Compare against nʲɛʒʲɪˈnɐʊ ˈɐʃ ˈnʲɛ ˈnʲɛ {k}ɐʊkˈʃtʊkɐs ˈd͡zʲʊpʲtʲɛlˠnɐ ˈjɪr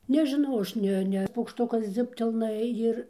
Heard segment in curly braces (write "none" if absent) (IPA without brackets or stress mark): p